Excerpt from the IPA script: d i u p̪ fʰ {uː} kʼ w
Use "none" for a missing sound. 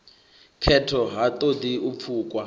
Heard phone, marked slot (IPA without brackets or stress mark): uː